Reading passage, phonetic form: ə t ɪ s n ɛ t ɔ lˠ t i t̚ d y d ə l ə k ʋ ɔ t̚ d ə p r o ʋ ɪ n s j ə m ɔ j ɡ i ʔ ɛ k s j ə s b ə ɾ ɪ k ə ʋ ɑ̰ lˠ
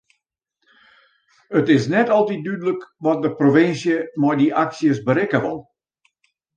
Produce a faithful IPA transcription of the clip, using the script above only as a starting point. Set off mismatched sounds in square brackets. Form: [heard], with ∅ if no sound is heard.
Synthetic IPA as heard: ə t ɪ s n ɛ t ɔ lˠ t i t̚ d y d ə l ə k ʋ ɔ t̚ d ə p r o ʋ ɪ n s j ə m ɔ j [d] i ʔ [a] k s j ə s b ə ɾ ɪ k ə ʋ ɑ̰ lˠ

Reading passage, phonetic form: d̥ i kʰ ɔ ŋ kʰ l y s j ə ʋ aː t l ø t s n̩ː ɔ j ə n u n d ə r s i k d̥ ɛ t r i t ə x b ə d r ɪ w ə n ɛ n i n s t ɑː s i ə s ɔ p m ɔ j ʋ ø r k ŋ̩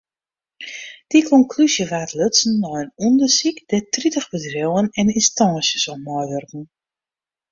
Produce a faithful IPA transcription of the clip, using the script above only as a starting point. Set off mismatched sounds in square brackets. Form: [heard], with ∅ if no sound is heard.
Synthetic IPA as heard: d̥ i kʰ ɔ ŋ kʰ l y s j ə ʋ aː t l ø t s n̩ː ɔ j ə n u n d ə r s i k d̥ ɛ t r i t ə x b ə d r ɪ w ə n ɛ n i n s t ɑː s [j] ə s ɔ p m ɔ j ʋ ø r k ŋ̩

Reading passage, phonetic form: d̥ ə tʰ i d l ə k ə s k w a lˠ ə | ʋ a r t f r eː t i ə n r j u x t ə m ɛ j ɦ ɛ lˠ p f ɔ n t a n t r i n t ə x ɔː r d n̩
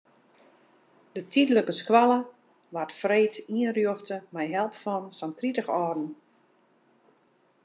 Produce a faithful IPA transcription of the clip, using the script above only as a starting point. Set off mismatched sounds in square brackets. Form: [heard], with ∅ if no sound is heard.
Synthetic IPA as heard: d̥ ə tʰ i d l ə k ə s k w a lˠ ə | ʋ a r t f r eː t i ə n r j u x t ə m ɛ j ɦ ɛ lˠ p f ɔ n [s] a n t r i [∅] t ə x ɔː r d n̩

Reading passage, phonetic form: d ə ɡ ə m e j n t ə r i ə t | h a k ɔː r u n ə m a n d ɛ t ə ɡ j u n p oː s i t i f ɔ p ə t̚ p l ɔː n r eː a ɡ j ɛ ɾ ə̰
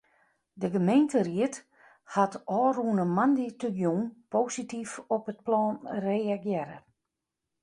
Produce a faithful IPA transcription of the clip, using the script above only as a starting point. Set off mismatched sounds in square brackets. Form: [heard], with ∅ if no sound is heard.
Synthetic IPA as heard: d ə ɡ ə m e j n t ə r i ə t | h a [t] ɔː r u n ə m a n d [i] t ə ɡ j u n p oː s i t i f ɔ p ə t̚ p l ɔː n r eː a ɡ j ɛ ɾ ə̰

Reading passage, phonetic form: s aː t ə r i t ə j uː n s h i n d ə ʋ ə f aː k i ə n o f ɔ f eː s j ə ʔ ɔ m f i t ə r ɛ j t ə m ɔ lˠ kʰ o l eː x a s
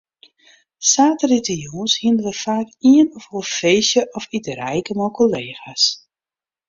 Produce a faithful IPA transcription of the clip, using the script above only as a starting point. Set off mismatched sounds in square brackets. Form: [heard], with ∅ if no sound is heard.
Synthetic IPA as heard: s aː t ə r i t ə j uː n s h i n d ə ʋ ə f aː k i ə n [ɔ] f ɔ f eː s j ə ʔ ɔ [∅] f i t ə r ɛ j [k] ə m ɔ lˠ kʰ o l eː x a s

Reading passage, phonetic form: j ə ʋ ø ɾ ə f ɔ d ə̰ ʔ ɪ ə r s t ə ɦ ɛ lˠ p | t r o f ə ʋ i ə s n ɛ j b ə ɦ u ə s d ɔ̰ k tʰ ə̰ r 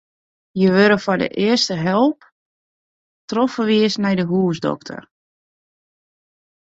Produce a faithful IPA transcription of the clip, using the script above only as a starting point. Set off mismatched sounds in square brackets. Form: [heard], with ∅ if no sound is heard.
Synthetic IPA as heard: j ə ʋ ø ɾ ə f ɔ d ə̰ ʔ ɪ ə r s t ə ɦ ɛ lˠ p | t r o f ə ʋ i ə s n ɛ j [d] ə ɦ u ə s d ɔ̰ k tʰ ə̰ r

